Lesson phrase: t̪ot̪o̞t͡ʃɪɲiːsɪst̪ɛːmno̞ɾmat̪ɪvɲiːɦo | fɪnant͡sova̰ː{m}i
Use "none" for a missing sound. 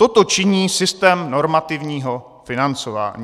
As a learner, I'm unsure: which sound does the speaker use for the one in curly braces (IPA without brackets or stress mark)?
ɲ